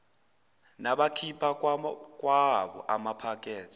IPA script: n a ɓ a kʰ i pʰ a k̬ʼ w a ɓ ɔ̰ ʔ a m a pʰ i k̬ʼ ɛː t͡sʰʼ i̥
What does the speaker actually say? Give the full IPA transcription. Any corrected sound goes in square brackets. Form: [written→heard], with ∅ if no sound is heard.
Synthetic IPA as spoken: n a ɓ a kʰ i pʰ a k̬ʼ w a ɓ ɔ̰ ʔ a m a pʰ [i→a] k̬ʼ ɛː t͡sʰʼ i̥